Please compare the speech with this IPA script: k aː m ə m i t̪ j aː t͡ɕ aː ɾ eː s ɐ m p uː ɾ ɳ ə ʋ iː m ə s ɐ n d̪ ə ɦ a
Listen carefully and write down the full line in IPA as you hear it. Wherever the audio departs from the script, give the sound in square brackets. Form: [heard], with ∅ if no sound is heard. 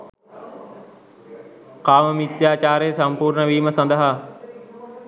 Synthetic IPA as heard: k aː m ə m i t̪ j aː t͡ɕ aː ɾ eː s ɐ m p uː ɾ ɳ ə ʋ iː m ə s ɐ n d̪ ə ɦ a